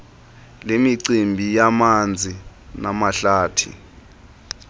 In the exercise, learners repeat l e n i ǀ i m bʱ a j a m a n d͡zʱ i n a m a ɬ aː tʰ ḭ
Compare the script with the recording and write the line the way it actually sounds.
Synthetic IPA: l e m i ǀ i m bʱ i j a m a n d͡zʱ i n a m a ɬ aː tʰ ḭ